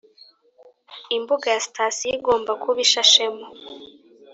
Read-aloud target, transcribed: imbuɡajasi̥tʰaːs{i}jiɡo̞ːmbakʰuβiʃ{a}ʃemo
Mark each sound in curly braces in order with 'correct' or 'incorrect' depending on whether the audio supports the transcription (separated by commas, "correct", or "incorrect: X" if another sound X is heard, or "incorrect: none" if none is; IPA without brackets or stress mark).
correct, correct